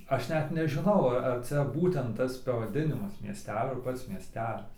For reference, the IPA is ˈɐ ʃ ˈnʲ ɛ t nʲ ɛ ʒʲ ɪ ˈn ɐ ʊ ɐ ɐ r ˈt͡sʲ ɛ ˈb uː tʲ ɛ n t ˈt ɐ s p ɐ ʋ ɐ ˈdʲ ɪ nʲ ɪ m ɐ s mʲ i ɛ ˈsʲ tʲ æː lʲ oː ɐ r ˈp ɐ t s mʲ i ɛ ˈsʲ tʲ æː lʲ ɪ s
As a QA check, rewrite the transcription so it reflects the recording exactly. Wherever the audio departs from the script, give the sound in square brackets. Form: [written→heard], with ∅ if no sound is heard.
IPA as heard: ˈɐ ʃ ˈnʲ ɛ t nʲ ɛ ʒʲ ɪ ˈn ɐ ʊ ɐ ɐ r ˈt͡sʲ ɛ ˈb uː tʲ ɛ n t ˈt ɐ s p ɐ ʋ ɐ ˈdʲ ɪ nʲ ɪ m ɐ s mʲ i ɛ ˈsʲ tʲ æː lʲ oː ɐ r ˈp ɐ t s mʲ i ɛ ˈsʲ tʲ æː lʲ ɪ s